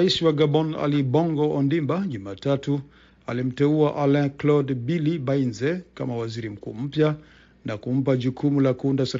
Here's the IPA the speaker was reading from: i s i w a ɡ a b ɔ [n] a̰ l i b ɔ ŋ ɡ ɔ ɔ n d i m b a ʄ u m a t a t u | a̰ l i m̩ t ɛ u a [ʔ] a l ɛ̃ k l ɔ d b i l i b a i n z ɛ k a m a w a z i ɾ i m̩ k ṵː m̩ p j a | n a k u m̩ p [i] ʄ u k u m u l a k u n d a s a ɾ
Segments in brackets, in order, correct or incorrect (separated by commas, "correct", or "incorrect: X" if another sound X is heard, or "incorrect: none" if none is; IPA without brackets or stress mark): correct, correct, incorrect: a